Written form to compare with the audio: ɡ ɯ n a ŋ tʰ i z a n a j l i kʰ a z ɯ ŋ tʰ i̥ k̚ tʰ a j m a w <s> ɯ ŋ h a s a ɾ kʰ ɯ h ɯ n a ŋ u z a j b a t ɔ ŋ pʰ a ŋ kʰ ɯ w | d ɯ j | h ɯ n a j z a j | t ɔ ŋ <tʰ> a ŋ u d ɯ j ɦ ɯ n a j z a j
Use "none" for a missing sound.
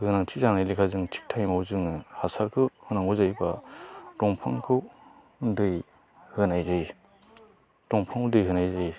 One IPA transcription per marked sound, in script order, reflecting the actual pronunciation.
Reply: z, pʰ

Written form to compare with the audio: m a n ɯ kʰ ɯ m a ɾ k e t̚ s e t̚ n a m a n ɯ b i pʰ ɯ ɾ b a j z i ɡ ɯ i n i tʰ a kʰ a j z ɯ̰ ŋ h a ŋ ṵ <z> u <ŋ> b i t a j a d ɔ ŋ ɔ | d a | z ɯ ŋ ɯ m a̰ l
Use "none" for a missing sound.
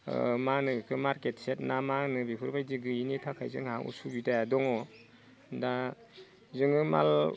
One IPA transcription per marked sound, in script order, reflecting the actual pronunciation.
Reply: s, none

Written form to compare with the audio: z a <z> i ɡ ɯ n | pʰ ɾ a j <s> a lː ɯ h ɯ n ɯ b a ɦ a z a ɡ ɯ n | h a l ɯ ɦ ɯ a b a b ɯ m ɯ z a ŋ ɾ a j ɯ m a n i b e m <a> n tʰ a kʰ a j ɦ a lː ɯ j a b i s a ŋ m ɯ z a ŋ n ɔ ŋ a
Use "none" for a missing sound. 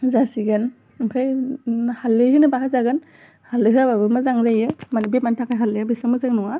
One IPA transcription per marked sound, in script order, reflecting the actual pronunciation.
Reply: s, h, a

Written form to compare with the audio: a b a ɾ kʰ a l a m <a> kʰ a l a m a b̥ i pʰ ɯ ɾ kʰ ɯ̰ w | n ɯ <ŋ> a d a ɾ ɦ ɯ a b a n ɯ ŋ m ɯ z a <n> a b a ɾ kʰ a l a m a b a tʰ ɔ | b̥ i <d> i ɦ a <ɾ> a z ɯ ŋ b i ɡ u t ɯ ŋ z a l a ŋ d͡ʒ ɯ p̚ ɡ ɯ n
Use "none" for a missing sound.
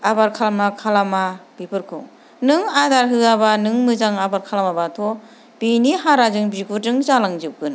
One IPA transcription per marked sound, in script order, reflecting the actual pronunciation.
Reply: a, ŋ, ŋ, n, ɾ

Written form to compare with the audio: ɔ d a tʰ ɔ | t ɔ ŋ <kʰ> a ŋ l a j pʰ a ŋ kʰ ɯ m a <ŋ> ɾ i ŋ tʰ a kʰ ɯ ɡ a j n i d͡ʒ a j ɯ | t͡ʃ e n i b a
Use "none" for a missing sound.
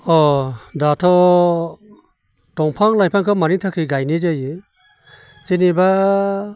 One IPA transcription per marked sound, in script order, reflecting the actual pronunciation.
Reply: pʰ, none

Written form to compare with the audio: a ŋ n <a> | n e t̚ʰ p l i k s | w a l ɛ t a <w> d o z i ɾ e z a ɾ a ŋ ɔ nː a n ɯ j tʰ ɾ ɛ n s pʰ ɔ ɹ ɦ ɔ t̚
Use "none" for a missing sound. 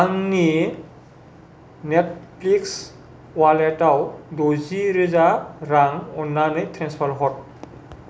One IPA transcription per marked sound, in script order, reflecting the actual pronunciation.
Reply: i, w

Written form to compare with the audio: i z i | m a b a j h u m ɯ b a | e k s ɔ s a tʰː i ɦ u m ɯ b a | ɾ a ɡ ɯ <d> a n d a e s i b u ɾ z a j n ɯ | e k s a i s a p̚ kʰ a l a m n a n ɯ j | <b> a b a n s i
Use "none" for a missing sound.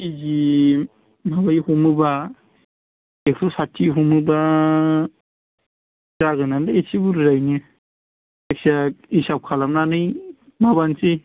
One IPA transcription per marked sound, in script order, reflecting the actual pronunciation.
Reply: n, m

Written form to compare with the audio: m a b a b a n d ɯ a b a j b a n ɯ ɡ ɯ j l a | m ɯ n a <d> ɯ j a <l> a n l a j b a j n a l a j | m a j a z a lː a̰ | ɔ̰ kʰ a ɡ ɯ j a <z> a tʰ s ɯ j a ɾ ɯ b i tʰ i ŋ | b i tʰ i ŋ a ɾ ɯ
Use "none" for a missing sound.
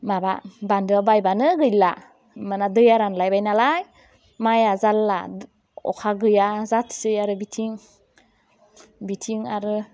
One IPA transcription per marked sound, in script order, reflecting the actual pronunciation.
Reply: d, ɾ, z

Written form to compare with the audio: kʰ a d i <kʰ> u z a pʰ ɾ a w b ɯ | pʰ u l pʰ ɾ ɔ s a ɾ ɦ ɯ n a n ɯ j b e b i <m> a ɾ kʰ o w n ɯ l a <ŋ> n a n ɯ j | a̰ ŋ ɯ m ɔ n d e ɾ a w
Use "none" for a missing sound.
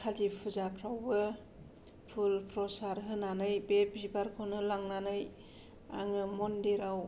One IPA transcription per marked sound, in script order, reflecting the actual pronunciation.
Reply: pʰ, b, ŋ

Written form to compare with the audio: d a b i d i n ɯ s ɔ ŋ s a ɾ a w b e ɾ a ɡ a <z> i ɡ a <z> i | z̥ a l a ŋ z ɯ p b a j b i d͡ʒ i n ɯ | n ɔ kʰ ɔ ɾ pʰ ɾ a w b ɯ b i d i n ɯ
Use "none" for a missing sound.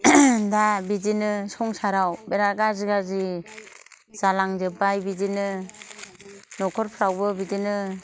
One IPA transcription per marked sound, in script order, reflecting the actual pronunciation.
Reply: z, z

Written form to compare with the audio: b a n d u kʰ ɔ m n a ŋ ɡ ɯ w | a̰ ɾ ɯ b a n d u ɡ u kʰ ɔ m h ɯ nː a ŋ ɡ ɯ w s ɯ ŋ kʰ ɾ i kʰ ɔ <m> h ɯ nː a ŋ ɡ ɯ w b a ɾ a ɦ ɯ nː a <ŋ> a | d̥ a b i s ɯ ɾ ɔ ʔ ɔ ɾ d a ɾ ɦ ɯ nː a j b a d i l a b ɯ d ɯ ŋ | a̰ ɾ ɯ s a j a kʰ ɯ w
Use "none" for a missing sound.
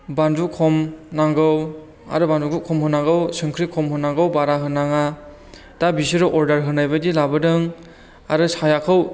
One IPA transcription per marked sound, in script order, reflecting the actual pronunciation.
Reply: m, ŋ

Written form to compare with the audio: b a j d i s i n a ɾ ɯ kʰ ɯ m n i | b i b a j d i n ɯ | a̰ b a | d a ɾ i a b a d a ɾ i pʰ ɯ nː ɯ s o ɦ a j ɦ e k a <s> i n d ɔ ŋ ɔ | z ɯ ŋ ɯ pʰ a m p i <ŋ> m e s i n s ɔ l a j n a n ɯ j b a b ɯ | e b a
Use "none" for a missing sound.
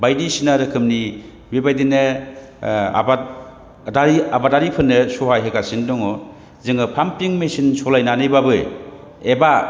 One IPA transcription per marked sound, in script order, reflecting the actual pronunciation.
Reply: s, ŋ

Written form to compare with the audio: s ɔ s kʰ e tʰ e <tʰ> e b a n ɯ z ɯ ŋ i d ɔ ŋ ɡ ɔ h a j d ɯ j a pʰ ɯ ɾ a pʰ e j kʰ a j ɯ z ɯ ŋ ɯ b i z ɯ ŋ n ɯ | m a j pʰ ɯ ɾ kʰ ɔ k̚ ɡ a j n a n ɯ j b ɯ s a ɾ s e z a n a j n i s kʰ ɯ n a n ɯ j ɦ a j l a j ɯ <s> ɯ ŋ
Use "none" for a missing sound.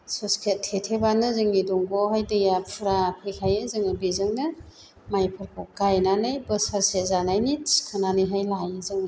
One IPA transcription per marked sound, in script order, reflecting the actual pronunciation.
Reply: tʰ, z

